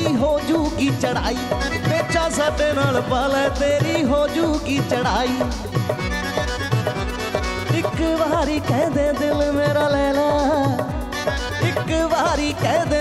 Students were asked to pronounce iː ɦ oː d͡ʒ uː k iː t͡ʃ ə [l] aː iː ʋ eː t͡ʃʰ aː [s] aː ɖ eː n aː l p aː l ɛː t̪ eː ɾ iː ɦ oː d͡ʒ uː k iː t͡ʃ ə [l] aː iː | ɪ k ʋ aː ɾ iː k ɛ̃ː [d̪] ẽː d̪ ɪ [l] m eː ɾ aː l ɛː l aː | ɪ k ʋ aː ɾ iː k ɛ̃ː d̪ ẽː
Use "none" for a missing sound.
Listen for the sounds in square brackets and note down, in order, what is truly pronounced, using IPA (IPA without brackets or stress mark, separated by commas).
ɽ, s, ɽ, d̪, l